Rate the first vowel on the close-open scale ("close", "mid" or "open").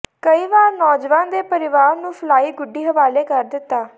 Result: mid